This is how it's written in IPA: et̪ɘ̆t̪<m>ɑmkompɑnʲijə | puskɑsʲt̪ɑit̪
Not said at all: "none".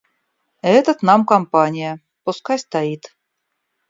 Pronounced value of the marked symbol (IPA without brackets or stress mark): n